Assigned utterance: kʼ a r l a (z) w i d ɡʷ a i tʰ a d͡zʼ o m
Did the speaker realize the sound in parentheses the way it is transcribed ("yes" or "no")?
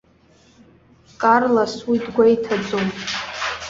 no